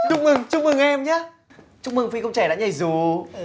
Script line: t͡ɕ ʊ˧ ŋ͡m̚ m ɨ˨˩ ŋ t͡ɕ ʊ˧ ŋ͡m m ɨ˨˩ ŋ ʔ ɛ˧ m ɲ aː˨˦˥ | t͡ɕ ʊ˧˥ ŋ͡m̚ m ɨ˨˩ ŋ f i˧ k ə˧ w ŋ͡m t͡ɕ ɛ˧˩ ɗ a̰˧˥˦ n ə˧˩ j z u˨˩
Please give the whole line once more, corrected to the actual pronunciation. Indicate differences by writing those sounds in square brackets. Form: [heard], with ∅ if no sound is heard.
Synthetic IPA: t͡ɕ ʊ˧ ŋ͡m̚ m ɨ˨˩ ŋ t͡ɕ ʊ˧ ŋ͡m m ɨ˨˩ ŋ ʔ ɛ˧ m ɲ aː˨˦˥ | t͡ɕ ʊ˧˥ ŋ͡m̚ m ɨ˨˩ ŋ f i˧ k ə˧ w ŋ͡m t͡ɕ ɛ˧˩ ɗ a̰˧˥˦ [ɲ] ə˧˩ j z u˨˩